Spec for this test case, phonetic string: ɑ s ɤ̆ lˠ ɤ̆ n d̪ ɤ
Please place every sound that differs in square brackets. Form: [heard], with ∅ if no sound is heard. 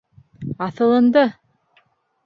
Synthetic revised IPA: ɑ [θ] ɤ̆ lˠ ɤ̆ n d̪ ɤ